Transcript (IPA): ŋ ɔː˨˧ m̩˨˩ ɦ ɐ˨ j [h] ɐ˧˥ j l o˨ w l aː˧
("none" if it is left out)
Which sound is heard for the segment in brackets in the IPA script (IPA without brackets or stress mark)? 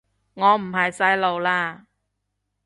s